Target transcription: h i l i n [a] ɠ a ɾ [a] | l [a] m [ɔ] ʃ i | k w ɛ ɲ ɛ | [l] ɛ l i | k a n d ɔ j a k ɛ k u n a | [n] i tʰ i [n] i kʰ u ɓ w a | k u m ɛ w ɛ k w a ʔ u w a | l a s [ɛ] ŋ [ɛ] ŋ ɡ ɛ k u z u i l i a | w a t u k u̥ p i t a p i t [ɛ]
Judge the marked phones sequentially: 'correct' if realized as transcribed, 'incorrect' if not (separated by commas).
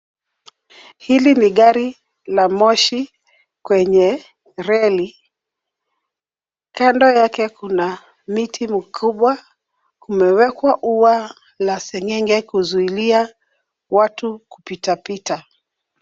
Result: incorrect, incorrect, correct, correct, incorrect, incorrect, incorrect, correct, correct, incorrect